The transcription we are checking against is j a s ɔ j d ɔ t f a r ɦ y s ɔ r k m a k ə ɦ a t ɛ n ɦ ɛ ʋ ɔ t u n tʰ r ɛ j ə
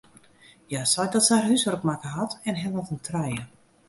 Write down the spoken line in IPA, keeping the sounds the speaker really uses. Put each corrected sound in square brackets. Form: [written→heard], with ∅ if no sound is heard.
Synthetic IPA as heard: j a s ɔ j d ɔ t [f→s] a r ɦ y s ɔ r k m a k ə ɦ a t ɛ n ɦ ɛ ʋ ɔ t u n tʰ r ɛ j ə